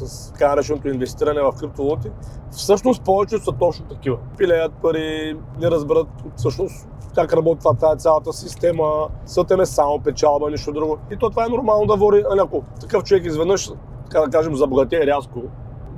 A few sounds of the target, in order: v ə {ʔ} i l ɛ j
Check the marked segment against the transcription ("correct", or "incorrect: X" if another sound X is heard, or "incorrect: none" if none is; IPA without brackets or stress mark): incorrect: p